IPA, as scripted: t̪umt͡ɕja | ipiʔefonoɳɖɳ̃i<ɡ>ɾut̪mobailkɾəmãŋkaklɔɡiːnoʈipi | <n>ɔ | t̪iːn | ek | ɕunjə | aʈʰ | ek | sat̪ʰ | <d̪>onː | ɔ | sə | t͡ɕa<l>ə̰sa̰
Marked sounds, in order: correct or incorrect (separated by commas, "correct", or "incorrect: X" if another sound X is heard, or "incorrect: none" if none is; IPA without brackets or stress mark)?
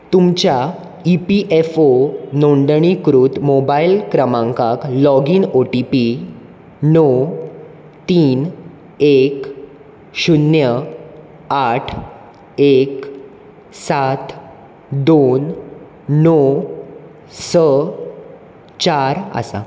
incorrect: k, correct, correct, incorrect: ɾ